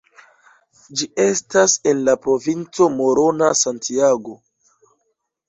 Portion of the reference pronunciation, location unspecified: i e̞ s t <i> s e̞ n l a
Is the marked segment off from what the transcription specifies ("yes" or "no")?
yes